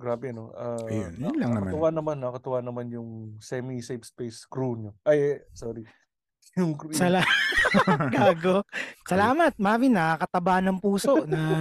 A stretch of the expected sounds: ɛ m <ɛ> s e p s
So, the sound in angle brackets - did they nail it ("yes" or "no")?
no